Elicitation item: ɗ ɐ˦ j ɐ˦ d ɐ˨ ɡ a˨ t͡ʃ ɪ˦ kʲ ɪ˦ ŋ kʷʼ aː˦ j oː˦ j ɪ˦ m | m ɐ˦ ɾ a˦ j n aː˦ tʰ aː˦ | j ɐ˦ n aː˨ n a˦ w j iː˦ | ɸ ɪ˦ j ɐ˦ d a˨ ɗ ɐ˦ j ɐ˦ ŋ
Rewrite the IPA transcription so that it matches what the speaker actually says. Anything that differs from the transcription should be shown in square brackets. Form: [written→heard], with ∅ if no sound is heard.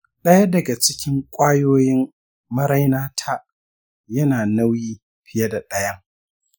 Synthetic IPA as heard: ɗ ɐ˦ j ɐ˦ d ɐ˨ ɡ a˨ t͡ʃ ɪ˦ kʲ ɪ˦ ŋ kʷʼ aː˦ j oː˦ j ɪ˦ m | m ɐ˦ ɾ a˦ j n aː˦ tʰ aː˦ | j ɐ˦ n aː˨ n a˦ w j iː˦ | ɸ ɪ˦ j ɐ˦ d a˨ ɗ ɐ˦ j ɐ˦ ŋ